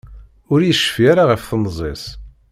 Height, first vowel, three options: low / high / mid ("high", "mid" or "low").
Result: high